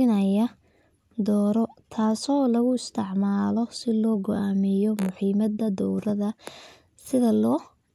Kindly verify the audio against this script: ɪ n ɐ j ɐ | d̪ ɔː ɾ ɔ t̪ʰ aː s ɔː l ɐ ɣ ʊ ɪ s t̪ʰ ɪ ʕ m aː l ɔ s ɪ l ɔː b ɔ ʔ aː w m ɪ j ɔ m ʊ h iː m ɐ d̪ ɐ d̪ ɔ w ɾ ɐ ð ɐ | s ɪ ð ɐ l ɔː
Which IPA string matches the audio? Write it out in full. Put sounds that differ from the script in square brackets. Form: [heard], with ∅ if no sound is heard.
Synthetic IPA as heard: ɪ n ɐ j ɐ | d̪ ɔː ɾ ɔ t̪ʰ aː s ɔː l ɐ ɣ ʊ ɪ s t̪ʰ ɪ ʕ m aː l ɔ s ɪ l ɔː [ɡ] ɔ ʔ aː [∅] m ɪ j ɔ m ʊ [ħ] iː m ɐ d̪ ɐ d̪ ɔ w ɾ ɐ ð ɐ | s ɪ ð ɐ l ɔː